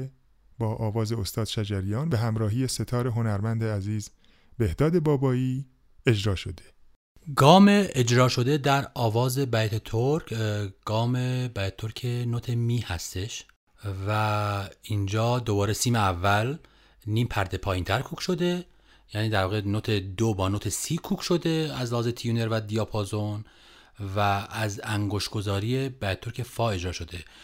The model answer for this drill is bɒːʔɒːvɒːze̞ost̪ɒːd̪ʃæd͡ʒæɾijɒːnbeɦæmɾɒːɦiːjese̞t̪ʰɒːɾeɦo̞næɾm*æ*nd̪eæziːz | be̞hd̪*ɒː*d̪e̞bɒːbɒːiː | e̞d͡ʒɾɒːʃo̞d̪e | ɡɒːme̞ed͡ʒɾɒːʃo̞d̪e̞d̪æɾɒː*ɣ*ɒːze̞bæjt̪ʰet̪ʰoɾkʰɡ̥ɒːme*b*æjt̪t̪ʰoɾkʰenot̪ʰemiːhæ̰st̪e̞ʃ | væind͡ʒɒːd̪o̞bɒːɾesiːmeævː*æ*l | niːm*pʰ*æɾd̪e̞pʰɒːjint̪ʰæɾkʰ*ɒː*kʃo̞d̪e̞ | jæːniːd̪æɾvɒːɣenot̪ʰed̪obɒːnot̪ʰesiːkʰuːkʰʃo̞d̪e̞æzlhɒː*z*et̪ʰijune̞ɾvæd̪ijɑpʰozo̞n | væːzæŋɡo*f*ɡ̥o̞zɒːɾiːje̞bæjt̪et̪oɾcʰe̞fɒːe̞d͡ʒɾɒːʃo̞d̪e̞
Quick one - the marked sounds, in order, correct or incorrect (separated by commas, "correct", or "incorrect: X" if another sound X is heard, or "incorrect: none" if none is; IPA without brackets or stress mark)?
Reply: correct, correct, incorrect: v, correct, correct, correct, incorrect: uː, correct, incorrect: ʃ